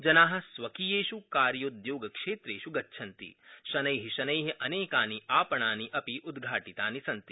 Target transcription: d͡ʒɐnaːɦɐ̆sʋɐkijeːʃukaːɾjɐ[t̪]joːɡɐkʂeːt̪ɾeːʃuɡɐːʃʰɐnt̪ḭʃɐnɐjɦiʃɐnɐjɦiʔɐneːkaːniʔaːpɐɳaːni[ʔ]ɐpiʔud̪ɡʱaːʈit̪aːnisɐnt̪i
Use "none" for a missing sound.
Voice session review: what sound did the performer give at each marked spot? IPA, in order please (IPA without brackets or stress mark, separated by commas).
d̪, ʔ